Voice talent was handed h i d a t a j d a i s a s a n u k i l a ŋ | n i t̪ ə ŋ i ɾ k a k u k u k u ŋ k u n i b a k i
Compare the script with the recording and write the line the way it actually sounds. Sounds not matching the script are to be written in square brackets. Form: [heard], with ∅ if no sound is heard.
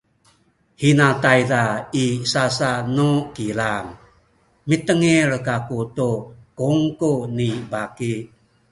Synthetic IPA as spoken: h i [n] a t a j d a i s a s a n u k i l a ŋ | [m] i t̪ ə ŋ i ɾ k a k u [t] u k u ŋ k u n i b a k i